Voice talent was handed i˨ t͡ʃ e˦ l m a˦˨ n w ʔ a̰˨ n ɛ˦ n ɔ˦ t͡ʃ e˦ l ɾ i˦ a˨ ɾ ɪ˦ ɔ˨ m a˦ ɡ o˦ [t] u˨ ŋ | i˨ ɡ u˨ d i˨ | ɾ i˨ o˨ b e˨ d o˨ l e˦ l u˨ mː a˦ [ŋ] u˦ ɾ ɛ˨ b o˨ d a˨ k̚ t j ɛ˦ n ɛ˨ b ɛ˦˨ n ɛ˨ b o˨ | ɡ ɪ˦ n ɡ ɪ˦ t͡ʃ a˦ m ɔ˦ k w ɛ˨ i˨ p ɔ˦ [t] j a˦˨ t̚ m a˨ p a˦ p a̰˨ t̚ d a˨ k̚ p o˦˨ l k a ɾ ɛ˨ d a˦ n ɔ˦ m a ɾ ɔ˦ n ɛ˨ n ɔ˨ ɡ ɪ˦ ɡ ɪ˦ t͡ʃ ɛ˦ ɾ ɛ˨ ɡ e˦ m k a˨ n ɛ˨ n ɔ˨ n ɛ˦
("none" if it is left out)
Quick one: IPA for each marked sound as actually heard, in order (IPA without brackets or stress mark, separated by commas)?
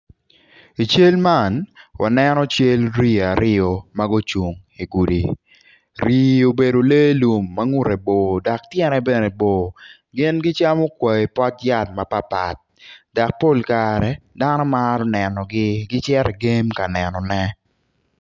t͡ʃ, ŋ, t